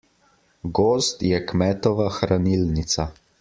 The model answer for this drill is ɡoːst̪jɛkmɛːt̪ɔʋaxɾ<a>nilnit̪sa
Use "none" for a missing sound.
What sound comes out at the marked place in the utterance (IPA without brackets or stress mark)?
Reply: a